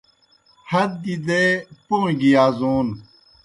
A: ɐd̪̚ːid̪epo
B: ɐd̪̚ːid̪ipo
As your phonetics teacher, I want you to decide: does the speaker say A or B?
A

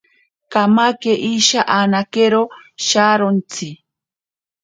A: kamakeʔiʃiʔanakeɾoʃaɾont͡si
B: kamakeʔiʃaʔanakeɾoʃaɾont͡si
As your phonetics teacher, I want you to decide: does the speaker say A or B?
B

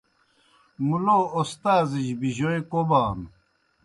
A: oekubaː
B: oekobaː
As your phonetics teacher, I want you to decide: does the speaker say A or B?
B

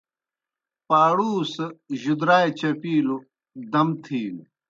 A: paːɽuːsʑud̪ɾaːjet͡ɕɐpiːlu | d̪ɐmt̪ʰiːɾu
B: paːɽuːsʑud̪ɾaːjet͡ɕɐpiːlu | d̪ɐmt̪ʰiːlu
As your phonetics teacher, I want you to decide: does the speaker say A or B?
B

